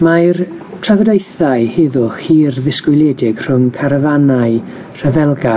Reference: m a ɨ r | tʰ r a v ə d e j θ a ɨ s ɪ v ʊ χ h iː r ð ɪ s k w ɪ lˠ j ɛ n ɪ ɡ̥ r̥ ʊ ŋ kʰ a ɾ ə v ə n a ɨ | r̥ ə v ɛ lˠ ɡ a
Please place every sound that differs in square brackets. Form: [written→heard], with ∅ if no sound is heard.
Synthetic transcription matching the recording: m a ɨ r | tʰ r a v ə d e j θ a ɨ [s→h] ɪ [v→ð] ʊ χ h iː r ð ɪ s k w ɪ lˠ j ɛ [n→d] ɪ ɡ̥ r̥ ʊ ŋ kʰ a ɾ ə v [ə→a] n a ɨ | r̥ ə v ɛ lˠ ɡ a